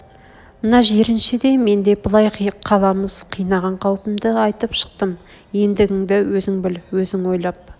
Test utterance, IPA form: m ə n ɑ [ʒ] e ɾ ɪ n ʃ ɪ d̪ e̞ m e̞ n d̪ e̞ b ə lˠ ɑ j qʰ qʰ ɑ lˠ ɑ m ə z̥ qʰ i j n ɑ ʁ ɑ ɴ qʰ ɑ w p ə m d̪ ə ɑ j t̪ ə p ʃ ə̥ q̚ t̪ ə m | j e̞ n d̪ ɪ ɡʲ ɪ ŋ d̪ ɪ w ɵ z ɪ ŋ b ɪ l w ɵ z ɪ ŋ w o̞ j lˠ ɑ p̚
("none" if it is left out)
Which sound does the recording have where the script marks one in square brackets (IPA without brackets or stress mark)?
ʒ